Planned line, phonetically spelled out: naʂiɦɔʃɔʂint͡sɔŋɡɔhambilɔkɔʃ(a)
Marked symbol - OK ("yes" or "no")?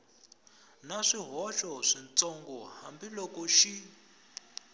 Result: no